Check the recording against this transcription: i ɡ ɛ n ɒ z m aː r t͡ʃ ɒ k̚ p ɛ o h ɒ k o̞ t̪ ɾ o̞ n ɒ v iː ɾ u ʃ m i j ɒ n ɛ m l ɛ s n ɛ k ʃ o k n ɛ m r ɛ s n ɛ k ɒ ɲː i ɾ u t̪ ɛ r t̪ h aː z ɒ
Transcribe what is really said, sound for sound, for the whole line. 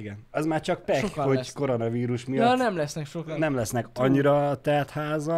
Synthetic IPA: i ɡ ɛ n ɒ z m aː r t͡ʃ ɒ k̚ p ɛ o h o k o̞ ɾ o̞ n ɒ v iː ɾ u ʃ m i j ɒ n ɛ m l ɛ s n ɛ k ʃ o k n ɛ m l ɛ s n ɛ k ɒ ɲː i ɾ ɒ t̪ ɛ r t̪ h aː z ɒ